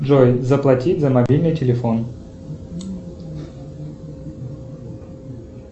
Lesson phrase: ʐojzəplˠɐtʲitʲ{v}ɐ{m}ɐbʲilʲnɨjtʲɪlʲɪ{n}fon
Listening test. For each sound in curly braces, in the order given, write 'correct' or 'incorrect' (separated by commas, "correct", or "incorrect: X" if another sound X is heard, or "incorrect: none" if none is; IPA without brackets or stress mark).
incorrect: z, correct, incorrect: none